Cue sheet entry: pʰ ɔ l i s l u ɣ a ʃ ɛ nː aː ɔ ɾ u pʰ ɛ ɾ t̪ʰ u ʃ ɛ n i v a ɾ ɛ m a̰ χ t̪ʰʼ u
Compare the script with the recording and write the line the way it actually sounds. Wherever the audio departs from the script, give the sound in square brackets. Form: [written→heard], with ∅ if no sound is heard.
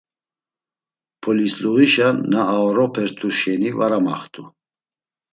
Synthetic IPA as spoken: pʰ ɔ l i s l u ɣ [a→i] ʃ [ɛ→a] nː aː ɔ ɾ [u→ɔ] pʰ ɛ ɾ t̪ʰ u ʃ ɛ n i v a ɾ [ɛ→a] m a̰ χ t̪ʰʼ u